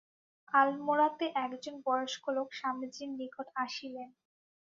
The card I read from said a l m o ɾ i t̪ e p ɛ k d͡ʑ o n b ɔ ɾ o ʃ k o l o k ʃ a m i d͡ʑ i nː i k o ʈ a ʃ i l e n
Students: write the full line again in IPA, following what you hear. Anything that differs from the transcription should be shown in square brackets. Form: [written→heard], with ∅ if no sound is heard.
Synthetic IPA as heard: a l m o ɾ [i→a] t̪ e [p→ʔ] ɛ k d͡ʑ o n b ɔ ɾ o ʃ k o l o k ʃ a m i d͡ʑ i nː i k o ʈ a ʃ i l e n